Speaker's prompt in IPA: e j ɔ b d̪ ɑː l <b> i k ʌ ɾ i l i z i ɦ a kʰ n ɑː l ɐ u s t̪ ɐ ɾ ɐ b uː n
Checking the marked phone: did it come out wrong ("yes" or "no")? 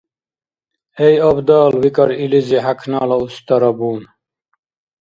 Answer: yes